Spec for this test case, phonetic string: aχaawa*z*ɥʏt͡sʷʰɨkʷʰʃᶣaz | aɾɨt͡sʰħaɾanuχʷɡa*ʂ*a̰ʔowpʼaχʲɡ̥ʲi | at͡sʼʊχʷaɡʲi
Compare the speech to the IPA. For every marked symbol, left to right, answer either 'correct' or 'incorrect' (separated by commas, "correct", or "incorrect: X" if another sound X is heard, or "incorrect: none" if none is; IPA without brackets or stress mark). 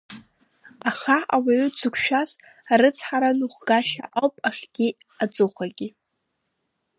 incorrect: none, incorrect: ʃ